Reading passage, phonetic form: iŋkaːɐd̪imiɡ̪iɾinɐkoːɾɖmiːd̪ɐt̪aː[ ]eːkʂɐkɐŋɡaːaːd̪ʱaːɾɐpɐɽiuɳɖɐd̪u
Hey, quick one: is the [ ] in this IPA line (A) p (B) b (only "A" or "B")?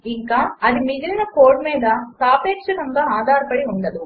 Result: A